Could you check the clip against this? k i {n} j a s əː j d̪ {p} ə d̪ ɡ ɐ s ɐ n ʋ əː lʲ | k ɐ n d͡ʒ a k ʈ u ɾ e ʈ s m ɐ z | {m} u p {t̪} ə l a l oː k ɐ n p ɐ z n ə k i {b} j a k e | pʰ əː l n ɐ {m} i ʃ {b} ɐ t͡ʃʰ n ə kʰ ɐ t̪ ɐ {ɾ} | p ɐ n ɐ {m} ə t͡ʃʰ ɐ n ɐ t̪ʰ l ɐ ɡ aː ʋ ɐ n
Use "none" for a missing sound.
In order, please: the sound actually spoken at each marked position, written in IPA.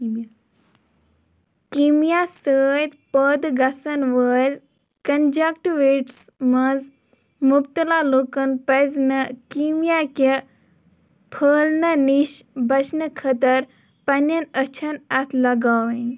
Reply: m, p, m, t̪, m, n, b, ɾ, n

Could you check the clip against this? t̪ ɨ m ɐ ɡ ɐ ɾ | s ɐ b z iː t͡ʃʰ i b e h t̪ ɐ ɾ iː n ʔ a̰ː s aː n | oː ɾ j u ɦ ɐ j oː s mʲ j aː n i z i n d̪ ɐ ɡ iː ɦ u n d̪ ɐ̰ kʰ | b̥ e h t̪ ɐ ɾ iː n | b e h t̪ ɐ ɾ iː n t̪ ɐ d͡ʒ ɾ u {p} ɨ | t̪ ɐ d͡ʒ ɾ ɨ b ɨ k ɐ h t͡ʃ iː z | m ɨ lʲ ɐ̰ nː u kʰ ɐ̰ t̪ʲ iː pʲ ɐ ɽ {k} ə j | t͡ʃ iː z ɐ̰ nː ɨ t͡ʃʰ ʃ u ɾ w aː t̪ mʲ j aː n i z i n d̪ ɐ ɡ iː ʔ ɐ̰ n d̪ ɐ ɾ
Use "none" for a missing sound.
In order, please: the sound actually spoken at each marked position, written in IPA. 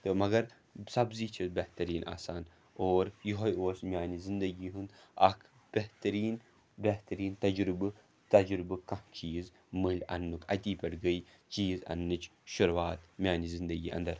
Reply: b, ɡ

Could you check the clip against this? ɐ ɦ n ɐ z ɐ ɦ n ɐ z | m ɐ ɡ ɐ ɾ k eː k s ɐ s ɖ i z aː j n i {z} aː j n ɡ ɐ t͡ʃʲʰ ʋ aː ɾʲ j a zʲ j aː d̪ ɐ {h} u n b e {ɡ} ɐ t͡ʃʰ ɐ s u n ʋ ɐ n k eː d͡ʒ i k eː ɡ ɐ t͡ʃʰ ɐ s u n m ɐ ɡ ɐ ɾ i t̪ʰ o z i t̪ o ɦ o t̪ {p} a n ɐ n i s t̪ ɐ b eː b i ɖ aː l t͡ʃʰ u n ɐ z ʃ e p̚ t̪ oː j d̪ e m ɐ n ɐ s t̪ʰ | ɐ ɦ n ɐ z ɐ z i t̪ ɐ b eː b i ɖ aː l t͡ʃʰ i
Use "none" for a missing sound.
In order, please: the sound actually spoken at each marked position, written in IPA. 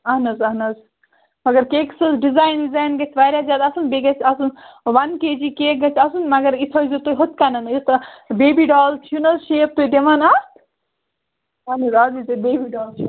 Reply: z, s, ɡ, k

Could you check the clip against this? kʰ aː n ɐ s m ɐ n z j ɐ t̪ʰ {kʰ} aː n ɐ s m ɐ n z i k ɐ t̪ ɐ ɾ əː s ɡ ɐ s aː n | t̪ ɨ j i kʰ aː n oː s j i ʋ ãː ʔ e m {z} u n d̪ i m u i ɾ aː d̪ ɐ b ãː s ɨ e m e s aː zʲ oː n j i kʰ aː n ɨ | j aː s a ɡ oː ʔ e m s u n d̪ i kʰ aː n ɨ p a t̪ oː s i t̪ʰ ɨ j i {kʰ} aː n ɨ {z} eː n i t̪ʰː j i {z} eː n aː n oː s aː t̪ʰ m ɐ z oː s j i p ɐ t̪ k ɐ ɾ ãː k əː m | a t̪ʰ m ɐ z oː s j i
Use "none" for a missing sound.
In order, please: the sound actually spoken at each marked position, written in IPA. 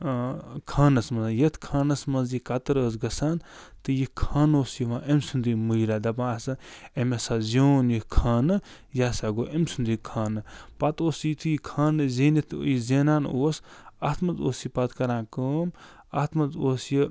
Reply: kʰ, s, kʰ, z, z

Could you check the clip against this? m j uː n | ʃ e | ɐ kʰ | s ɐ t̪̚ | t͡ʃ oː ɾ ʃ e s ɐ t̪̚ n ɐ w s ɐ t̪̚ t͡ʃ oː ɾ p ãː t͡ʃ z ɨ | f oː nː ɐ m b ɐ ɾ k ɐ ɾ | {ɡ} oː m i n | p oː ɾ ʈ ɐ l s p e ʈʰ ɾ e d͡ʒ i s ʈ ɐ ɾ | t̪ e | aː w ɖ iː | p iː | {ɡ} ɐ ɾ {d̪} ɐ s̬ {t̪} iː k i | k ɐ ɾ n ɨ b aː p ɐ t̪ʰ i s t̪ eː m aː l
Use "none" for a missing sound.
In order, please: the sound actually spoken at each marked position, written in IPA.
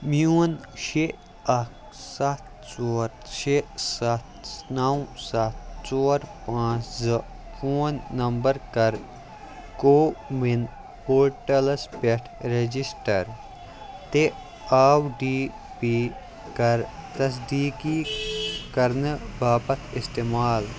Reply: k, k, t̪, d̪

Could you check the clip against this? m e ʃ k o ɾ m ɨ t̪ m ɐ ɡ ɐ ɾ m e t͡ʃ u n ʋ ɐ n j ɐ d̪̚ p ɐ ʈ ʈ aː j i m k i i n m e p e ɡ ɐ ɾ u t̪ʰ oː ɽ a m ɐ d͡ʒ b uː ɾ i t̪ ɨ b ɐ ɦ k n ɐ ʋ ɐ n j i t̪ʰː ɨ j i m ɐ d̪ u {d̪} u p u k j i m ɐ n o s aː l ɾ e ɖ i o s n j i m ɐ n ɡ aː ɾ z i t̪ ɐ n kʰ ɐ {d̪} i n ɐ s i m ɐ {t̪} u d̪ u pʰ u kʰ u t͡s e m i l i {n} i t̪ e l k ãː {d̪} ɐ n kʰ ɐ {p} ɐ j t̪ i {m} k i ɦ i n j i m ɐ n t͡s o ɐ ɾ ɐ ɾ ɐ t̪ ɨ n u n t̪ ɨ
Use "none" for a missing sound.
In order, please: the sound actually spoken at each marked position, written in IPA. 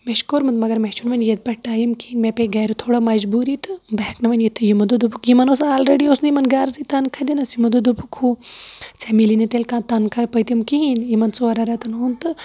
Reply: d̪, d̪, d̪, n, t̪, p, m

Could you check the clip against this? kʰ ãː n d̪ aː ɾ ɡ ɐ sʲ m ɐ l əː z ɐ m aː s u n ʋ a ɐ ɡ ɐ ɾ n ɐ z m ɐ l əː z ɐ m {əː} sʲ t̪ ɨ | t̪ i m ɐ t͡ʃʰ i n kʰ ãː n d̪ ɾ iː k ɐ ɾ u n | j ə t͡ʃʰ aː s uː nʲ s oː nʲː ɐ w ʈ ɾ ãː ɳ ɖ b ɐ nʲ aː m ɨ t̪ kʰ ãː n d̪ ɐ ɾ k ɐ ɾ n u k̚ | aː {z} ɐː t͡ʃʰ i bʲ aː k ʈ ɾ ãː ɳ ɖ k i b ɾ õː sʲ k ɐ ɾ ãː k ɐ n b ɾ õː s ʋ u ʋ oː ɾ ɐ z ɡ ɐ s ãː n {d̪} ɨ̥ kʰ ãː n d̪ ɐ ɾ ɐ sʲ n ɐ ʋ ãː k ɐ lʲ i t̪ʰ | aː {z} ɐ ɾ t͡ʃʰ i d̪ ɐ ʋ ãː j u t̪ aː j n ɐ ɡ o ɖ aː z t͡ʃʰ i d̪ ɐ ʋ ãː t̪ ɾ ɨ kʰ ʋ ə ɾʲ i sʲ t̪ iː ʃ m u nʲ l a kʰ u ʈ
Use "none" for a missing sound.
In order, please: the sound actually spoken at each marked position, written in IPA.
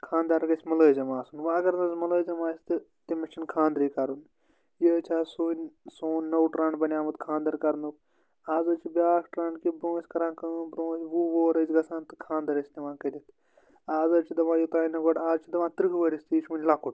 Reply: aː, z, t̪, z

